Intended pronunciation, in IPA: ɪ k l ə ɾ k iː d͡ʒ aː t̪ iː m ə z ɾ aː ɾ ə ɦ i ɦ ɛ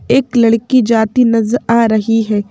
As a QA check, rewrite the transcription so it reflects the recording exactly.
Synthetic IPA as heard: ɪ k l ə ɽ k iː d͡ʒ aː t̪ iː n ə z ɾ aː ɾ ə ɦ i ɦ ɛː